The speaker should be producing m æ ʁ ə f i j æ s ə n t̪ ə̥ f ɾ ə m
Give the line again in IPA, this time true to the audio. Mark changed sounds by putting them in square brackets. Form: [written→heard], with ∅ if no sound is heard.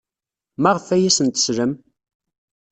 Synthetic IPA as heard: m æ ʁ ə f [i→æ] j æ s ə n t̪ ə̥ [f→s] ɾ ə m